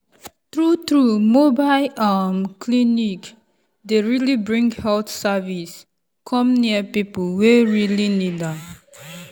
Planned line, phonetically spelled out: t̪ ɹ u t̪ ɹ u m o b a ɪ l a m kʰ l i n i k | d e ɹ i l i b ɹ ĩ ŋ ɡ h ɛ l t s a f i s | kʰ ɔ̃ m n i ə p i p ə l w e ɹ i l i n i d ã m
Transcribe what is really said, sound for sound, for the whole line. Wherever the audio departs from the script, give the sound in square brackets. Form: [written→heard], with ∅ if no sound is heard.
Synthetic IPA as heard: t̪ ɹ u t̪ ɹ u m o b a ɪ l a m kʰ l i n i k | d e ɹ i l i b ɹ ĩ ŋ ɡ h ɛ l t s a [f→v] i s | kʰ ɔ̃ m n i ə p i p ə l w e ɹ i l i n i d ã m

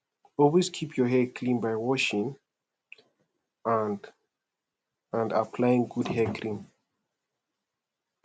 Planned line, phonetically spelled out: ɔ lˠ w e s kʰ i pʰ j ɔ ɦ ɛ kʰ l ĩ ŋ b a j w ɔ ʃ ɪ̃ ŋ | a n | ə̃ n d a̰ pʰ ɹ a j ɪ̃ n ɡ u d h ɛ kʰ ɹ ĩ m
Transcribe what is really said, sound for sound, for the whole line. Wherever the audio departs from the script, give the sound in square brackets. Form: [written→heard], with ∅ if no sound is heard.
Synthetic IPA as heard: ɔ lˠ w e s kʰ i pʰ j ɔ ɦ ɛ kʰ l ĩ [ŋ→n] b a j w ɔ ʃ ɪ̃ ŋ | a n | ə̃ n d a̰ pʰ [ɹ→l] a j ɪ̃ [n→ŋ] ɡ u d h ɛ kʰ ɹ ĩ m

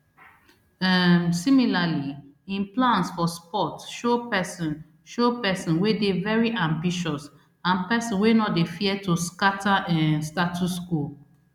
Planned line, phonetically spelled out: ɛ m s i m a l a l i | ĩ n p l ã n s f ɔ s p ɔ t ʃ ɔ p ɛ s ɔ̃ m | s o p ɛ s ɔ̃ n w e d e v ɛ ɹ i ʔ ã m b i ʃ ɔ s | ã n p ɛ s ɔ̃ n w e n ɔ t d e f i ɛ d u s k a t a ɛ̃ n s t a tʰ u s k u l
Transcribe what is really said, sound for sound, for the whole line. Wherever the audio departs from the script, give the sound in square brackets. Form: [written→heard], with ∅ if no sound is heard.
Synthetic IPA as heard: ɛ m s i m [a→i] l a l i | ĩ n p l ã n s f ɔ s p ɔ t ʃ [ɔ→o] p ɛ s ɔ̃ [m→n] | [s→ʃ] o p ɛ s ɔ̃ n w e d e v ɛ ɹ i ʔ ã m b i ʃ ɔ s | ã n p ɛ s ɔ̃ n w e n ɔ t d e f i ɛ [d→t] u s k a t a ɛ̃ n s t a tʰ u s k u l

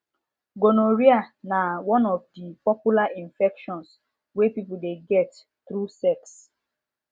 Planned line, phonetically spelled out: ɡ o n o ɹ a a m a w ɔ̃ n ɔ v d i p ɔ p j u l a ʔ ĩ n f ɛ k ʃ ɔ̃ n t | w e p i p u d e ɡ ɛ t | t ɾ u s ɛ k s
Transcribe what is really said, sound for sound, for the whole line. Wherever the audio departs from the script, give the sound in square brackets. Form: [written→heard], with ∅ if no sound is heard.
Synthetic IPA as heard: ɡ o n o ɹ [a→i] a [m→n] a w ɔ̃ n ɔ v d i p ɔ p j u l a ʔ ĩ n f ɛ k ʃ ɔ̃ n [t→s] | w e p i p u d e ɡ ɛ t | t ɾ u s ɛ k s

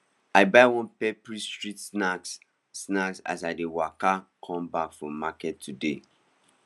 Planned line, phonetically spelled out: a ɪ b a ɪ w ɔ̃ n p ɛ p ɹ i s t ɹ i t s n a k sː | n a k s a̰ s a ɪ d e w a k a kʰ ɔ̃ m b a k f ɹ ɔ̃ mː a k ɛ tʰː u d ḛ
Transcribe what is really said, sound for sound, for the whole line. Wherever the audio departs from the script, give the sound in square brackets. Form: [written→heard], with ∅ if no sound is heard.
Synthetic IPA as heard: a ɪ b a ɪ w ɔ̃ n p ɛ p ɹ i s t ɹ i t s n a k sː | n a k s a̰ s a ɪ d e w a k a kʰ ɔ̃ m b a k f ɹ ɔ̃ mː a k ɛ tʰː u d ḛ

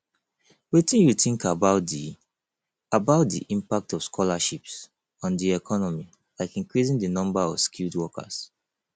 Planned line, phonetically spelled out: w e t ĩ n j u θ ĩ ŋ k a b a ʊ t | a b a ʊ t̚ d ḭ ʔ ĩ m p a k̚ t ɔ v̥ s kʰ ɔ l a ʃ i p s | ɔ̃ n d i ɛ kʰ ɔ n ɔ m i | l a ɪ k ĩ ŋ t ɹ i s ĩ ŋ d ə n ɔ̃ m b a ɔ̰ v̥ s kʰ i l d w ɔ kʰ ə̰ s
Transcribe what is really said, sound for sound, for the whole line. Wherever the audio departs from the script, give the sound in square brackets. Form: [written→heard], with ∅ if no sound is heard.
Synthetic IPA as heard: w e t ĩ n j u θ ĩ ŋ k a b a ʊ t | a b a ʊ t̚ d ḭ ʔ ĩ m p a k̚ t ɔ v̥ s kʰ ɔ l a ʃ i p s | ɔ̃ n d i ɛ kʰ ɔ n ɔ m i | l a ɪ k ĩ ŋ [t→k] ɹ i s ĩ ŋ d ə n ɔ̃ m b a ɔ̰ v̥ s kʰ i l d w ɔ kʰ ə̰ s

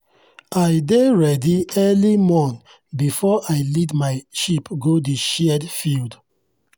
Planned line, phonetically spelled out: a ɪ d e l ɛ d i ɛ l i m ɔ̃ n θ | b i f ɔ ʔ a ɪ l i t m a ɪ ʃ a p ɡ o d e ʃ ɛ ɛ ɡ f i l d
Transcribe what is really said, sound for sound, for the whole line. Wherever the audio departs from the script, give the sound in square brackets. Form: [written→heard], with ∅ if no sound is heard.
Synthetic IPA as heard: a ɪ d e [l→ɹ] ɛ d i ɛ l i m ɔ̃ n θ | b i f ɔ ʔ a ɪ l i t m a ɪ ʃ [a→i] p ɡ o d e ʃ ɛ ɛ [ɡ→d] f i l d

